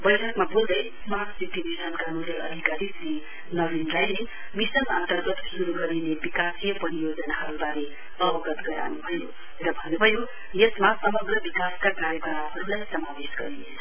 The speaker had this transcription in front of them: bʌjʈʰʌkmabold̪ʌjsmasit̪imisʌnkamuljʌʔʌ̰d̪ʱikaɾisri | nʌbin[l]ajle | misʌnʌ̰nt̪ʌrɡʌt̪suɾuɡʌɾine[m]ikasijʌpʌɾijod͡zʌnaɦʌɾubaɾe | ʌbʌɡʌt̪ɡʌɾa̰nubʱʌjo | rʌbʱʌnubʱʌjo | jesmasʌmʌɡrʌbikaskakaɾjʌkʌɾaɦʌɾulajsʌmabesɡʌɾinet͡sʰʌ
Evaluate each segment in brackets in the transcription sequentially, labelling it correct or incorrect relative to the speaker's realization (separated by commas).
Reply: correct, incorrect